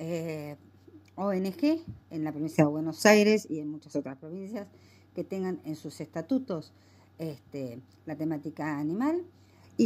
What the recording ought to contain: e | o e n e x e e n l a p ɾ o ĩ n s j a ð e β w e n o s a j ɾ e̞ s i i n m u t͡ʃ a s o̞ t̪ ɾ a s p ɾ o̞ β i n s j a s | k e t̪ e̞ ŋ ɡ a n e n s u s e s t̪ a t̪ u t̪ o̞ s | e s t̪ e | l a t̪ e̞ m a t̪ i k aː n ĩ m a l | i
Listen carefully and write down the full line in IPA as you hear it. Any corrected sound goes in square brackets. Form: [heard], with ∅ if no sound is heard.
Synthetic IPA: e | o e n e x e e n l a p ɾ o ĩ n s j a ð e β w e n o s a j ɾ e̞ s i [e] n m u t͡ʃ a s o̞ t̪ ɾ a s p ɾ o̞ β i n s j a s | k e t̪ e̞ ŋ ɡ a n e n s u s e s t̪ a t̪ u t̪ o̞ s | e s t̪ e | l a t̪ e̞ m a t̪ i k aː n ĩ m a l | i